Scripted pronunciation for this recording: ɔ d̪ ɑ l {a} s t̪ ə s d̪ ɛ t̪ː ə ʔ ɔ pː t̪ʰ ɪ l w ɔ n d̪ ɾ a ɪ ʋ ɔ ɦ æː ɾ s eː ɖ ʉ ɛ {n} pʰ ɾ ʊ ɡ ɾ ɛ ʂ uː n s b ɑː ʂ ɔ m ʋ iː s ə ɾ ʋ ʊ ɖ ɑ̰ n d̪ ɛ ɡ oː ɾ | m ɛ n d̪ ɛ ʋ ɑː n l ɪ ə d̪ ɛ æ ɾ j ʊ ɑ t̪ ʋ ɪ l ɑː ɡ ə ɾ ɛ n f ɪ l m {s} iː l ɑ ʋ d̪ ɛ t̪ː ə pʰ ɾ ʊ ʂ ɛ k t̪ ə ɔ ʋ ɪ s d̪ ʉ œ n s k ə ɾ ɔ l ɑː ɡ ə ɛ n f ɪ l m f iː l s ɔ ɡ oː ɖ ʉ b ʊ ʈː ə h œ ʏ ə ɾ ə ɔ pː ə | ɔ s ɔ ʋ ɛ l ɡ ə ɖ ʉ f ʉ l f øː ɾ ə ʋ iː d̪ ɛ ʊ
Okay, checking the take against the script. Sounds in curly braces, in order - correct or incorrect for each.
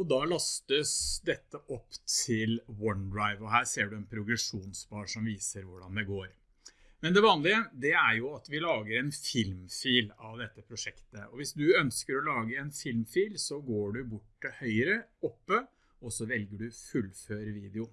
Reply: incorrect, correct, incorrect

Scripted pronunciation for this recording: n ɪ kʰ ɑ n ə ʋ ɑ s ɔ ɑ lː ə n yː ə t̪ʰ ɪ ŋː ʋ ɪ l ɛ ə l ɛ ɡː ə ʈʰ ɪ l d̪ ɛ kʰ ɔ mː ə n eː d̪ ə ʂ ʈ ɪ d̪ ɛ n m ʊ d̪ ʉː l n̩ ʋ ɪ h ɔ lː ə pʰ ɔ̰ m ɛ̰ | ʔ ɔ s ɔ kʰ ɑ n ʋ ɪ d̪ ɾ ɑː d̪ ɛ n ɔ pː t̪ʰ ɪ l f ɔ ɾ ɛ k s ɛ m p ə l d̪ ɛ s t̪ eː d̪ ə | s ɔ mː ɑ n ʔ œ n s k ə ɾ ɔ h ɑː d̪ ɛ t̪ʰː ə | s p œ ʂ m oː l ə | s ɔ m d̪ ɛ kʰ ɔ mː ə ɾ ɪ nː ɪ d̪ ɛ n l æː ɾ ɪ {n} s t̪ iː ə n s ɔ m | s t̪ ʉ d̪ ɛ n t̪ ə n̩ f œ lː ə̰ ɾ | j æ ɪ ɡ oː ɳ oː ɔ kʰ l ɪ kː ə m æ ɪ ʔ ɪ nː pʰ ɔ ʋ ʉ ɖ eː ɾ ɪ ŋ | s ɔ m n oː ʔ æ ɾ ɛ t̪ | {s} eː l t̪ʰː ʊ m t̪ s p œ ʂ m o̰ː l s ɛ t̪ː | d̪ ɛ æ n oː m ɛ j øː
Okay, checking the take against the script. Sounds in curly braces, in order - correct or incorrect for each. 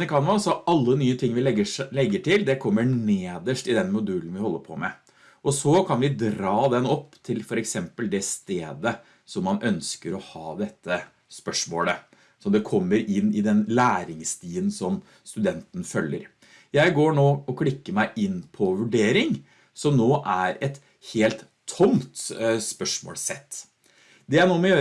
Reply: incorrect, incorrect

